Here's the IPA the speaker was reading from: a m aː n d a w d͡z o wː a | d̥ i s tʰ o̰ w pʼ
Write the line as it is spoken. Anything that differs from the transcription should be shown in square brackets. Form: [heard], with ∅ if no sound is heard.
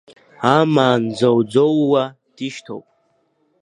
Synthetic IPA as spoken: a m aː n [d͡z] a w d͡z o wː a | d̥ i [ʃ] tʰ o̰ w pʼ